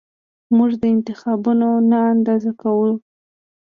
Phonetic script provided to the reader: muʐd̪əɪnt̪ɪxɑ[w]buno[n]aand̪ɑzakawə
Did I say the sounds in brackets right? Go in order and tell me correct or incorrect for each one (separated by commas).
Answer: incorrect, correct